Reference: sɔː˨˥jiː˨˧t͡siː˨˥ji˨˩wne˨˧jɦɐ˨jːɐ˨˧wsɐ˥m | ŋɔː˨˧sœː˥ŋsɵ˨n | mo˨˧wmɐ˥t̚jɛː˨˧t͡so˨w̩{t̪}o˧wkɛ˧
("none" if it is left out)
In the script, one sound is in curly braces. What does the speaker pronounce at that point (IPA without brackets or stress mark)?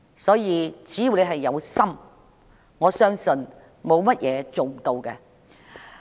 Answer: t̪